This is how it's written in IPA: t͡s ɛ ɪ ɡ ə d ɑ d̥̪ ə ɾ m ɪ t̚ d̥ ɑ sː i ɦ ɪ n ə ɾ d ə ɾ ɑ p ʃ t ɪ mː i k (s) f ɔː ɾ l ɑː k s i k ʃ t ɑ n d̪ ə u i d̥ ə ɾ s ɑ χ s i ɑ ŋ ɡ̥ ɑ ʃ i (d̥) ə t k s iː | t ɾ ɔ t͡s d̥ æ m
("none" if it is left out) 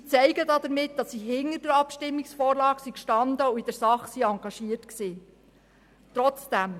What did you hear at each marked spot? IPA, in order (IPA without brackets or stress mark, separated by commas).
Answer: s, none